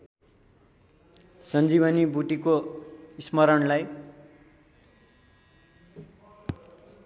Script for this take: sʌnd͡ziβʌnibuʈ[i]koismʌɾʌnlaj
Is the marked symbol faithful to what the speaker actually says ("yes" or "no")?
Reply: yes